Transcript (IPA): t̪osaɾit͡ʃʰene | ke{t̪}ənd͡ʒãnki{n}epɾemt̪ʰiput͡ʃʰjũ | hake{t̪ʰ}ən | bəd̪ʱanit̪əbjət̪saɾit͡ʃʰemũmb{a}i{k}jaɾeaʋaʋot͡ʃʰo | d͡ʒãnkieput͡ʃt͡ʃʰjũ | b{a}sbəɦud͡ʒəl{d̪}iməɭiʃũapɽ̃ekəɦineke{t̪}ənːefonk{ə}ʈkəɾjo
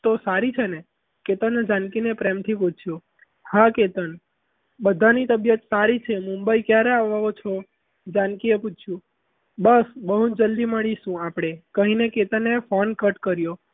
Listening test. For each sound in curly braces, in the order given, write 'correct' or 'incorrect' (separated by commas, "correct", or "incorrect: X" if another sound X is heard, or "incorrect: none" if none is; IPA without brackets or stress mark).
correct, correct, incorrect: t̪, incorrect: ə, correct, incorrect: ə, correct, correct, correct